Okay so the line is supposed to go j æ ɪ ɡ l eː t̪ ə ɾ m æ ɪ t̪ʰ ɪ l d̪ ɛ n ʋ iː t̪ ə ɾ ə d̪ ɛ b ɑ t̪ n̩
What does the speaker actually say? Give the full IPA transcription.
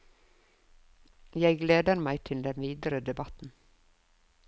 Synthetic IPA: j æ ɪ ɡ l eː d̪ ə ɾ m æ ɪ t̪ʰ ɪ l d̪ ɛ n ʋ iː d̪ ə ɾ ə d̪ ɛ b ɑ t̪ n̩